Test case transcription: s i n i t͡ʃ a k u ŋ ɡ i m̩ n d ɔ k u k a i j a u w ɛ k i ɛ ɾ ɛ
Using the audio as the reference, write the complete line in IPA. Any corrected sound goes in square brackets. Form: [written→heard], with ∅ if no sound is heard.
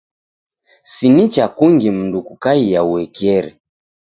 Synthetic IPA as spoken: s i n i t͡ʃ a k u ŋ ɡ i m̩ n d [ɔ→u] k u k a i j a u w ɛ k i ɛ ɾ ɛ